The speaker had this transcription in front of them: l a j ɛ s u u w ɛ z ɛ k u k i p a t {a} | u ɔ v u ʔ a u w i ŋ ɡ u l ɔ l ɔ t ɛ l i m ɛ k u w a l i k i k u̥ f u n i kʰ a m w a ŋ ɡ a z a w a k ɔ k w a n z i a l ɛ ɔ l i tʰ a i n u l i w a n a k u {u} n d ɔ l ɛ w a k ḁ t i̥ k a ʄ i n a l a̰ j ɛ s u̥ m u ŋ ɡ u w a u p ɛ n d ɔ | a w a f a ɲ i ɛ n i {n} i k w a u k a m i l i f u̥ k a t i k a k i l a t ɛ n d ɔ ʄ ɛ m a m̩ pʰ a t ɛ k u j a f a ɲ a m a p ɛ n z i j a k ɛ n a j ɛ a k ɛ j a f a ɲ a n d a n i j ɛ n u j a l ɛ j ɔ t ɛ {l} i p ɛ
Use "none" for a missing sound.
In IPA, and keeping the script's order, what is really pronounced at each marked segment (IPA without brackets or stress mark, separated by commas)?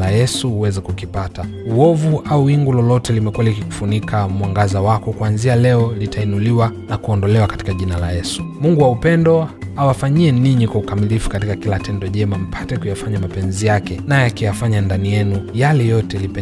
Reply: a, ɔ, ɲ, l